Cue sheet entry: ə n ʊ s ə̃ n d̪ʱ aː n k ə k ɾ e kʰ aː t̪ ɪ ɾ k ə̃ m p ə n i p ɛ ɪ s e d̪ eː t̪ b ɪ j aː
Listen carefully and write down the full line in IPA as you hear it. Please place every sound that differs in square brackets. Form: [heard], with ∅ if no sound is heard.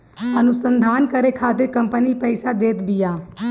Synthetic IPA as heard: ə n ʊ s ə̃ n d̪ʱ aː n k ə [∅] ɾ e kʰ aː t̪ ɪ ɾ k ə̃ m p ə n i p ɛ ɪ s [a] d̪ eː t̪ b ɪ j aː